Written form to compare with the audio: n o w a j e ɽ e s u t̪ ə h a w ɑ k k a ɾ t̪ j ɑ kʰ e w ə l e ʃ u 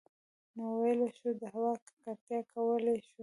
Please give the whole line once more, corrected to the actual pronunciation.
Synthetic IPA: n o w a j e l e ʃ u d̪ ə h a w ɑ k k a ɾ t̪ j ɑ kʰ a w ə l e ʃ u